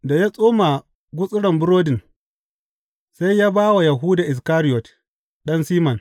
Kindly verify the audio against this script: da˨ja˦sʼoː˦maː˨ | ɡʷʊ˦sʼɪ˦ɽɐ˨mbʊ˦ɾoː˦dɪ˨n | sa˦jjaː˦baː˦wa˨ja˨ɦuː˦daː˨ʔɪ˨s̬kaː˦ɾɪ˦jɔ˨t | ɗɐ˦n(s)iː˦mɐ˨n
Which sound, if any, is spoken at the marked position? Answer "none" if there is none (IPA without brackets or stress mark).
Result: s